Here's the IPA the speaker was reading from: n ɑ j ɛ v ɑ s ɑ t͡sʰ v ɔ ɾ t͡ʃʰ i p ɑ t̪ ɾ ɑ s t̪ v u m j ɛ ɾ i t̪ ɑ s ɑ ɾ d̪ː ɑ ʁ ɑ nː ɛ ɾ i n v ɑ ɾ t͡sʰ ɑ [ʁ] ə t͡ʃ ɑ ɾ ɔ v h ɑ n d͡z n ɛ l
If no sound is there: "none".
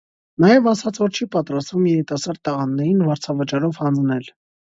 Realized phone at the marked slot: v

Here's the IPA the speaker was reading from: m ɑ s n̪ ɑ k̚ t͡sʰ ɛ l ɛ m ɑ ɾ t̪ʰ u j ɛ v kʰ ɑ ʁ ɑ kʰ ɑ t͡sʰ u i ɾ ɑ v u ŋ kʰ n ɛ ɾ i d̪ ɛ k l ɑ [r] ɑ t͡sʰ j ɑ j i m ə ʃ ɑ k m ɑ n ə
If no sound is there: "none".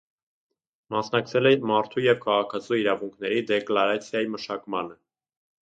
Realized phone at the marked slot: ɾ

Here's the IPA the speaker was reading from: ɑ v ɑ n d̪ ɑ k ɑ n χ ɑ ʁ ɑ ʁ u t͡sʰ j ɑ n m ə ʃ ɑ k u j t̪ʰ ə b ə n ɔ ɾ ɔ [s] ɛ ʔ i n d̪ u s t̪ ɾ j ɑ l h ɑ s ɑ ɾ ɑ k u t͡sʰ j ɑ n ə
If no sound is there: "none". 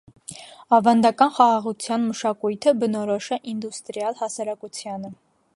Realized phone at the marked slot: ʃ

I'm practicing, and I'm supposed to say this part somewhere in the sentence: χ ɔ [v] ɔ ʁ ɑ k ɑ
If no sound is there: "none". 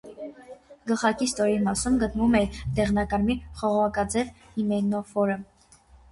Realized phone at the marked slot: ʁ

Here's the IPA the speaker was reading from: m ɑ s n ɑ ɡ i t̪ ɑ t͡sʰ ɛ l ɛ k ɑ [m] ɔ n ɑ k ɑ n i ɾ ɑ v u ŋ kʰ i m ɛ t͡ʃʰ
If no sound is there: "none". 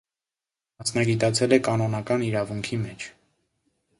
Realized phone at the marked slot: n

